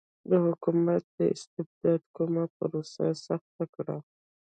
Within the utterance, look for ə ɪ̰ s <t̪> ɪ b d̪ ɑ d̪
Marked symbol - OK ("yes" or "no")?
yes